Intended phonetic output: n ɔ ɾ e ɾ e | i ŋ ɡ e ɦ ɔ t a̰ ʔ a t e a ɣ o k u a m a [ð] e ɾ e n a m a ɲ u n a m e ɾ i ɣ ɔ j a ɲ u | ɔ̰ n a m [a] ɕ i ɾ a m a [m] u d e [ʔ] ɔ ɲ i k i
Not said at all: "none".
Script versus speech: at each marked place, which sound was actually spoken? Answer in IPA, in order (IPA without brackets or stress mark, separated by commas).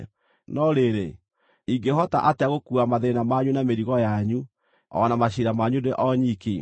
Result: ð, a, ɲ, ʔ